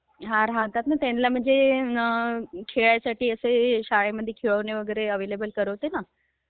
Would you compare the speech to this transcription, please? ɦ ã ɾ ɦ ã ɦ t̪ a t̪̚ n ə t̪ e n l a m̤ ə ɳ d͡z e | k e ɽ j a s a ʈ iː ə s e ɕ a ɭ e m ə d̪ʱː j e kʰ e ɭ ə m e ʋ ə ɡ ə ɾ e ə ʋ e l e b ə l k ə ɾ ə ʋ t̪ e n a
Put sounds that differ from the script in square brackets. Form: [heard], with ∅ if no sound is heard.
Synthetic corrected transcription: ɦ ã ɾ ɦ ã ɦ t̪ a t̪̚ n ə t̪ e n l a m̤ ə ɳ d͡z e | [kʰ] e [ɭ] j a s a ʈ iː ə s e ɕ a ɭ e m ə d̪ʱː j e kʰ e ɭ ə [n] e ʋ ə ɡ ə ɾ e ə ʋ e l e b ə l k ə ɾ ə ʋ t̪ e n a